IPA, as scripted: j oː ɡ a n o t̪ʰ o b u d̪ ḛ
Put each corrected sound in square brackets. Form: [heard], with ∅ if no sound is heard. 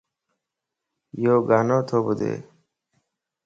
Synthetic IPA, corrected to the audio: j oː ɡ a n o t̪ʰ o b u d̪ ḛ